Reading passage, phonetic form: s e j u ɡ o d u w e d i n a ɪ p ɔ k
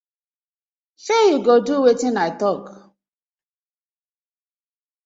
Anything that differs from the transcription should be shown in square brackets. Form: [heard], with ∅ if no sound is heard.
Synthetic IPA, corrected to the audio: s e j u ɡ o d u w e [t] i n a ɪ [t] ɔ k